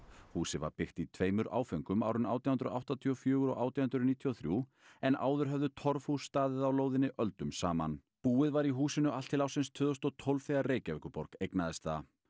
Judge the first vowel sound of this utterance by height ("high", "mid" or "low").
high